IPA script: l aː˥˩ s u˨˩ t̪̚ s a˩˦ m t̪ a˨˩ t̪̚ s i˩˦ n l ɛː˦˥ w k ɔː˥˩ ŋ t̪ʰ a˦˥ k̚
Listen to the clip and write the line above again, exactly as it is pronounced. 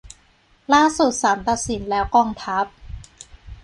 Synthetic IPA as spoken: l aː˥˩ s u˨˩ t̪̚ s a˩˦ m t̪ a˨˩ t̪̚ s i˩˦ n l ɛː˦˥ w k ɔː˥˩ ŋ t̪ʰ a˦˥ p̚